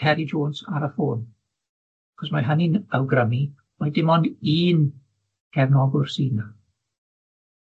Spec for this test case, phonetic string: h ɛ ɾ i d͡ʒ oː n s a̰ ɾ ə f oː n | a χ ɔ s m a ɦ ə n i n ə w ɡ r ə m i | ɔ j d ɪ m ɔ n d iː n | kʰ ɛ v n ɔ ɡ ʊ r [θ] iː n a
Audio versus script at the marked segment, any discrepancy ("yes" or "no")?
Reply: yes